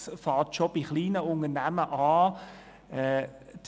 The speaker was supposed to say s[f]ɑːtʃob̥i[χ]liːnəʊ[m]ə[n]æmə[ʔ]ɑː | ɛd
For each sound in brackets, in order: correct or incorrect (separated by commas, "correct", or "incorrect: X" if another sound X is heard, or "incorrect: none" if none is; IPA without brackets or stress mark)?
correct, correct, incorrect: n, correct, correct